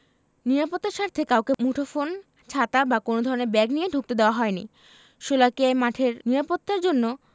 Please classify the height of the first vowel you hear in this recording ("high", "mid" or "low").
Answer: high